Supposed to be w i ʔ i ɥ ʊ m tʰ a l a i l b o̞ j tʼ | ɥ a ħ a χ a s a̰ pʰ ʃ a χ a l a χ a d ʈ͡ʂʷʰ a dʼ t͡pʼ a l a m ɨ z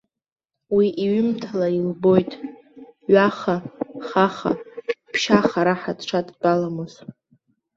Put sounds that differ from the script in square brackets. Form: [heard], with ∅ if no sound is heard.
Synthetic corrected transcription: w i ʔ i ɥ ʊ m tʰ a l a i l b o̞ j tʼ | ɥ a [χ] a χ a [χ] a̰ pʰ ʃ a χ a [ɾ] a [ħ] a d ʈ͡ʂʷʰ a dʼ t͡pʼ a l a m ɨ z